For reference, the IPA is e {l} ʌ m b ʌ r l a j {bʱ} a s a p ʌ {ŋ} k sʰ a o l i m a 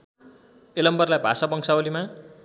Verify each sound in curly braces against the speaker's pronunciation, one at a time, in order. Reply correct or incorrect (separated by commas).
correct, correct, correct